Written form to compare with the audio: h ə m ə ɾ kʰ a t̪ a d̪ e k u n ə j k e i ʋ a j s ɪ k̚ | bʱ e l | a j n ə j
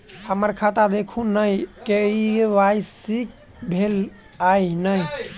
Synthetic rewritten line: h ə m ə ɾ kʰ a t̪ a d̪ e kʰ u n ə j k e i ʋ a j s i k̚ | bʱ e l | a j n ə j